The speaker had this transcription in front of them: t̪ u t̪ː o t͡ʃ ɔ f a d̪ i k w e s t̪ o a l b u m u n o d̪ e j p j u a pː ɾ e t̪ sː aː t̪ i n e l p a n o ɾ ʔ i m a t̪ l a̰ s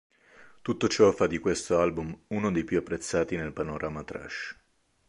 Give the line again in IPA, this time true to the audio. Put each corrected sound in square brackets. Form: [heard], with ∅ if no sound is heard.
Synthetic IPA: t̪ u t̪ː o t͡ʃ ɔ f a d̪ i k w e s t̪ o a l b u m u n o d̪ e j p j u a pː ɾ e t̪ sː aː t̪ i n e l p a n o ɾ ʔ [a] m a t̪ [ɾ] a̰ [ʃ]